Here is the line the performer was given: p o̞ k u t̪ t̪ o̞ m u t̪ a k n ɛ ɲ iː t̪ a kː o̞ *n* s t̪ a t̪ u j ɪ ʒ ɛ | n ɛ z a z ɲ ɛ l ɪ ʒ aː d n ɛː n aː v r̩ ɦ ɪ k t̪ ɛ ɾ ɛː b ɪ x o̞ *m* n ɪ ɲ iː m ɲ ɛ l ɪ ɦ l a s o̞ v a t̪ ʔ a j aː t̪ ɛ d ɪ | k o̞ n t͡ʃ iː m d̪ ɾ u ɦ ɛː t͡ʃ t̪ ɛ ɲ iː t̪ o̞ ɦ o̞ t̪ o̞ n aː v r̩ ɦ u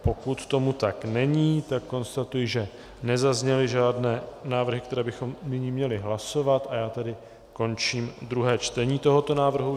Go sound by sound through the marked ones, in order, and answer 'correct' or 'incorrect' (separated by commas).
correct, correct